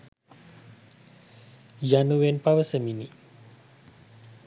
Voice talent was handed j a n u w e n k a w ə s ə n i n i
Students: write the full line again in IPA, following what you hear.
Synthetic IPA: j a n u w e n p a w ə s ə m i n i